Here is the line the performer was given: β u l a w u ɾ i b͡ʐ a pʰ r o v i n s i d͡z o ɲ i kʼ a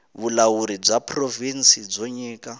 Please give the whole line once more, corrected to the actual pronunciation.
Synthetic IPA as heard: β u l a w u ɾ i b͡ʐ a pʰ r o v i n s i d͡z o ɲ iː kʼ a